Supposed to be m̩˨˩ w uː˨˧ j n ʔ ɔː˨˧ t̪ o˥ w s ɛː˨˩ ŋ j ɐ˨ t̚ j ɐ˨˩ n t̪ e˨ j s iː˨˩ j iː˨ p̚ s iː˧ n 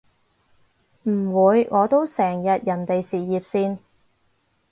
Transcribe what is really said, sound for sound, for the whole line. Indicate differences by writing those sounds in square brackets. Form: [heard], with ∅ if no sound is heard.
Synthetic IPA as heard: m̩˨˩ w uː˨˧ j [ŋ] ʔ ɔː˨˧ t̪ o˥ w s ɛː˨˩ ŋ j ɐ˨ t̚ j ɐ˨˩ n t̪ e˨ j s iː˨˩ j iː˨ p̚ s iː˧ n